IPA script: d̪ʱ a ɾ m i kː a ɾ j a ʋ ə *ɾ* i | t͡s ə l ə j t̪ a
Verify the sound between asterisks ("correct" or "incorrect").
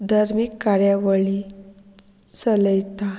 incorrect